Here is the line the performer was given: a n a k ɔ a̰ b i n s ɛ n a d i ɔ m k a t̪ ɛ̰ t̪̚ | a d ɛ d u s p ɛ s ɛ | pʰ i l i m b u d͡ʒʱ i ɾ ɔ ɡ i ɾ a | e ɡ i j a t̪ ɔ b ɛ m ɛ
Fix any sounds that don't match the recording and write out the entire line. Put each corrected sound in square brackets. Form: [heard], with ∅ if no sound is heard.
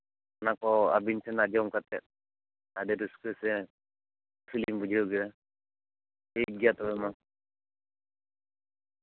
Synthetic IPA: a n a k ɔ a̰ b i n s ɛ n a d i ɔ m k a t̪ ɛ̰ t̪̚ | a d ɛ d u s [k] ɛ s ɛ | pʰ i l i m b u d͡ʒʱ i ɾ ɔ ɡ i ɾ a | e ɡ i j a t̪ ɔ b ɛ m [a]